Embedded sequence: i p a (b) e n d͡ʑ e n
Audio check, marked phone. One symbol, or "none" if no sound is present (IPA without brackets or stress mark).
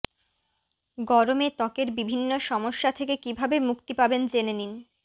b